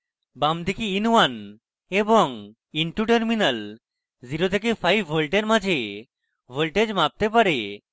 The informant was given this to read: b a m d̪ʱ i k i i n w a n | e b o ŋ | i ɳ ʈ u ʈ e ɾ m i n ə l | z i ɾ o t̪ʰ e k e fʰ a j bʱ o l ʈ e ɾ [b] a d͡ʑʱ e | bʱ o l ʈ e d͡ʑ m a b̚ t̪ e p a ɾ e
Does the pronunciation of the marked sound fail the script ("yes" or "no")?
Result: yes